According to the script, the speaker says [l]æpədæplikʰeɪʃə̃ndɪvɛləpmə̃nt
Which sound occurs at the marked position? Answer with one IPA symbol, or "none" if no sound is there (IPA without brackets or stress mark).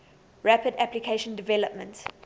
ɹ